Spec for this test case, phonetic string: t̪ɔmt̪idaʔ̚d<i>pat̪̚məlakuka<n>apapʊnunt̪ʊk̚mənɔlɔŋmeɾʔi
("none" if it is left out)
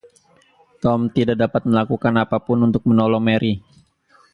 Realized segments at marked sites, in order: a, n

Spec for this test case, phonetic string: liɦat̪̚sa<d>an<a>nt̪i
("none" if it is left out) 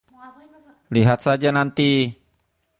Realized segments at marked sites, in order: d͡ʒ, a

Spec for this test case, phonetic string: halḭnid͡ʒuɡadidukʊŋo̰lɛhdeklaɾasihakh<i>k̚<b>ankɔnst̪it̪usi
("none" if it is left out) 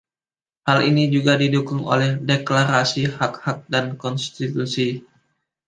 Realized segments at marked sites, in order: a, d

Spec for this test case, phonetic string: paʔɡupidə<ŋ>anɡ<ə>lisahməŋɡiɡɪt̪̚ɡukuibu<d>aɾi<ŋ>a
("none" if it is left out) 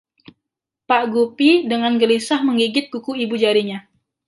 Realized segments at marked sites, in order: ŋ, ə, d͡ʒ, ɲ

